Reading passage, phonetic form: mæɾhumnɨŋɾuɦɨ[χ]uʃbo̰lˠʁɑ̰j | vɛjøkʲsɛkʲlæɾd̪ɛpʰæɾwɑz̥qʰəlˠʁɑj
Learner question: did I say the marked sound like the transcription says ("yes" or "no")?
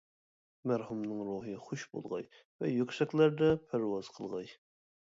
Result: yes